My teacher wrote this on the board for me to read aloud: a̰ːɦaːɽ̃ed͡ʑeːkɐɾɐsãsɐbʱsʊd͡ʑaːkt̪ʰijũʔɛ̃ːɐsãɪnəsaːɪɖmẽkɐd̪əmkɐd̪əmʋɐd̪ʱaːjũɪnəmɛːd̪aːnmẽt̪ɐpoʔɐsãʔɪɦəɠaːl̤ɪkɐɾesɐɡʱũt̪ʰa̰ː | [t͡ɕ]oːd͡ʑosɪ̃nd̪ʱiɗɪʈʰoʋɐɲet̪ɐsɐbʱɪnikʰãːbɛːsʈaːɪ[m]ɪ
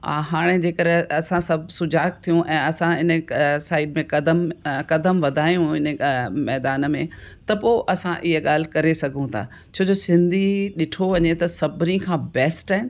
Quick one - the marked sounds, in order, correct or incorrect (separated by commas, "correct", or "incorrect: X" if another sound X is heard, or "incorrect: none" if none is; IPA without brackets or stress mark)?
incorrect: t͡ɕʰ, incorrect: n